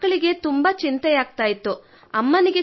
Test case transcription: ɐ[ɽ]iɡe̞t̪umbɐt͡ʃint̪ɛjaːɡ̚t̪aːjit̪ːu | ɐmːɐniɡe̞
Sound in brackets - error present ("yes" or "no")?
yes